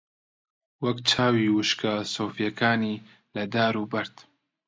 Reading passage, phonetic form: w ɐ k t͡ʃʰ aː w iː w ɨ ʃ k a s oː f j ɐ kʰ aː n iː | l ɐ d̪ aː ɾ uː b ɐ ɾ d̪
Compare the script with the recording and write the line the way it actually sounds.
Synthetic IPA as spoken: w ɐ k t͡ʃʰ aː w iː w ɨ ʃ k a s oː f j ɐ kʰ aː n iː | l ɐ d̪ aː ɾ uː b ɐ ɾ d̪

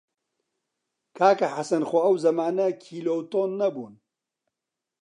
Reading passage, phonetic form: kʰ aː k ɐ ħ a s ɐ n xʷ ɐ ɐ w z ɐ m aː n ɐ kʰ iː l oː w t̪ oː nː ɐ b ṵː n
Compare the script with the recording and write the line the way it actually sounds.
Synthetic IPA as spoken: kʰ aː k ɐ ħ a s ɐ n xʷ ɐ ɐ w z ɐ m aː n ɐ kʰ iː l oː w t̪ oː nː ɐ b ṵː n

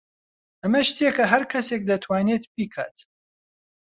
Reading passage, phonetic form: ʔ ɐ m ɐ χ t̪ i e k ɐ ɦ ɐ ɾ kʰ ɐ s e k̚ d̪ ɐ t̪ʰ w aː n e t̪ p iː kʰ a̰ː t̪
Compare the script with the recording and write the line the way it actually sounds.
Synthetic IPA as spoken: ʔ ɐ m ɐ ʃ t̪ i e k ɐ ɦ ɐ ɾ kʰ ɐ s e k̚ d̪ ɐ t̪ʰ w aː n e t̪ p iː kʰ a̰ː t̪

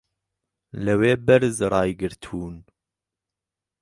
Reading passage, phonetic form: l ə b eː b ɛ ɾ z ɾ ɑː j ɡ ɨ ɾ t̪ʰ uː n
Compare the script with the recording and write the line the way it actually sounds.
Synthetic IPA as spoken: l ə w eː b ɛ ɾ z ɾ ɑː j ɡ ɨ ɾ t̪ʰ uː n

